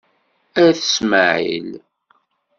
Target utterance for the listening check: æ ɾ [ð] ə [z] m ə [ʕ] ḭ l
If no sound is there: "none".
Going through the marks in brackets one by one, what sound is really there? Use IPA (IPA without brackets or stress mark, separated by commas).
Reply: θ, s, ʕ